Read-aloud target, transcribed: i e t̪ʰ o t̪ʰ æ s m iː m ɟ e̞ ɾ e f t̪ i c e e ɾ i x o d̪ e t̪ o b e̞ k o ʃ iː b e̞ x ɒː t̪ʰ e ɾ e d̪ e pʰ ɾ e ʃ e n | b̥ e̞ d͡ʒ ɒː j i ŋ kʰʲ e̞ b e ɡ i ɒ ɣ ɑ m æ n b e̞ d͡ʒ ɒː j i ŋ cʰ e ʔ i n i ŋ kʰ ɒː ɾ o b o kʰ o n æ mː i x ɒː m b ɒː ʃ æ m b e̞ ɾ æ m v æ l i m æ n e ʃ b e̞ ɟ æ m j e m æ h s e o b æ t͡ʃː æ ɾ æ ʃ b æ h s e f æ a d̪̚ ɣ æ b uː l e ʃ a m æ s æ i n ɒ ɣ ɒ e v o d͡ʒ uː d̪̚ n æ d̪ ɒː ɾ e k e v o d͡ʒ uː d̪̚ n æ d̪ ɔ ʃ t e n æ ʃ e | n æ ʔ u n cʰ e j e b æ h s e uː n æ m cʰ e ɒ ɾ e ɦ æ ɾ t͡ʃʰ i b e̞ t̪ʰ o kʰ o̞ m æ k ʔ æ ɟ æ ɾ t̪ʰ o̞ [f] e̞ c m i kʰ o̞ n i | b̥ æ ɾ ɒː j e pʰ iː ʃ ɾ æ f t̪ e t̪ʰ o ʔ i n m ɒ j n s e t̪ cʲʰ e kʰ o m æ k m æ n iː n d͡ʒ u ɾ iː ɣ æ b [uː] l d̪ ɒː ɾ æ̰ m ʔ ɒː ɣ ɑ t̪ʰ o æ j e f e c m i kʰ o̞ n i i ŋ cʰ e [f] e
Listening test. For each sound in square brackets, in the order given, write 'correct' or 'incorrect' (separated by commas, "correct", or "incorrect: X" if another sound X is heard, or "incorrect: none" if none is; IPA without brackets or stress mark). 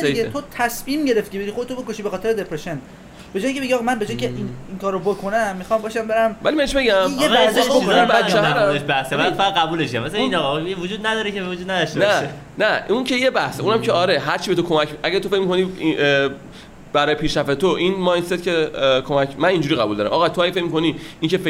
correct, incorrect: u, correct